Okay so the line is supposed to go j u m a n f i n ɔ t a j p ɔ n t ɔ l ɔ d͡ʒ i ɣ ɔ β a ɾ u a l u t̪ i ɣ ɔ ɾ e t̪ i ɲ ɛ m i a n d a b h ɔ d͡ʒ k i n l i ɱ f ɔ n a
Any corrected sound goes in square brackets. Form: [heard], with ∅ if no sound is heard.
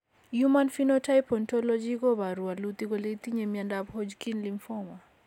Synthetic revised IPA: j u m a n f i n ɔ t a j p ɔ n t ɔ l ɔ d͡ʒ i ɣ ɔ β a ɾ u a l u t̪ i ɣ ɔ [l] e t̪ i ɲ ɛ m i a n d a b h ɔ d͡ʒ k i n l i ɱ f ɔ [m] a